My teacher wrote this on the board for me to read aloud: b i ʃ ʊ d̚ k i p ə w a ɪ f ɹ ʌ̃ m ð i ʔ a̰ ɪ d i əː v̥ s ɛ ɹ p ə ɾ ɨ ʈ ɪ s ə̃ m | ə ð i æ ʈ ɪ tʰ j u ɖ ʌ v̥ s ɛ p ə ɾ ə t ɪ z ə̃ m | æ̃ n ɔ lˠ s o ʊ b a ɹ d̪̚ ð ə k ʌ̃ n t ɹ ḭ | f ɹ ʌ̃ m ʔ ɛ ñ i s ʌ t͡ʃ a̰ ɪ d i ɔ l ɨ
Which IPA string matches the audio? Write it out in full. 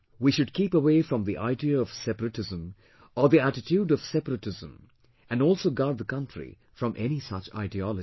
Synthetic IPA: w i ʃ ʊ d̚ k i p ə w e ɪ f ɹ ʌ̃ m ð i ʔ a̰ ɪ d i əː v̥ s ɛ p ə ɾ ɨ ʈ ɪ z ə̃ m | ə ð i æ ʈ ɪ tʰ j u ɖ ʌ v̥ s ɛ p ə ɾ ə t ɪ z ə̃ m | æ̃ n ɔ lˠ s o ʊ ɡ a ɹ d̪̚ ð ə k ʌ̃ n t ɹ ḭ | f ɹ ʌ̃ m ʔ ɛ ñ i s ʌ t͡ʃ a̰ ɪ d i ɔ l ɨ